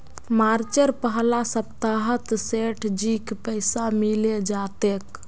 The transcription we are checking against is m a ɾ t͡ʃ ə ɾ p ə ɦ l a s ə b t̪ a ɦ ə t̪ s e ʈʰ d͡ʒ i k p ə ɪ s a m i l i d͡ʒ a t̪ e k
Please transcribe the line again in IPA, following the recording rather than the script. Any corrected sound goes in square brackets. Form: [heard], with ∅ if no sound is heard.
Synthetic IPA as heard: m a ɾ t͡ʃ ə ɾ p ə ɦ l a s ə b t̪ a ɦ ə t̪ s e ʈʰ d͡ʒ i k p ə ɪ s a m i l [e] d͡ʒ a t̪ e k